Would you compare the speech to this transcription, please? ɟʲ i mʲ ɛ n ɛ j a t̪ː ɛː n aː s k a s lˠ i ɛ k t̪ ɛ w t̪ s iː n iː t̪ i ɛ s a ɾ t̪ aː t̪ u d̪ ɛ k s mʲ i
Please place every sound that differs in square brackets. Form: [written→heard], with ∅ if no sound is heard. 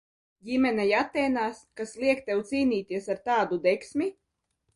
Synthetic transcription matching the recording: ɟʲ i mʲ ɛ n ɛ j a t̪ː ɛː n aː s k a s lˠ i ɛ k t̪ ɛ w t̪ s iː n iː t̪ i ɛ s a ɾ t̪ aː [t̪→d̪] u d̪ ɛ k s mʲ i